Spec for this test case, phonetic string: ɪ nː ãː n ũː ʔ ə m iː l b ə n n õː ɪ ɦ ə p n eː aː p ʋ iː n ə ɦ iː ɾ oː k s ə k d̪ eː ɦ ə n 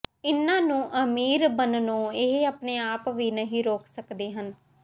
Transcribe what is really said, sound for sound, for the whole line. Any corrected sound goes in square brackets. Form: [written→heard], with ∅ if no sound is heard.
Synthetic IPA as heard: ɪ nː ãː n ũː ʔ ə m iː [l→ɾ] b ə n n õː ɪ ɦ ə p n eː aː p ʋ iː n ə ɦ iː ɾ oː k s ə k d̪ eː ɦ ə n